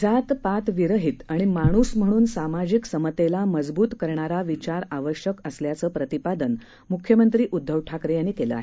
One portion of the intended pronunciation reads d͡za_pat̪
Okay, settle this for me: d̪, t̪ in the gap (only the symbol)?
t̪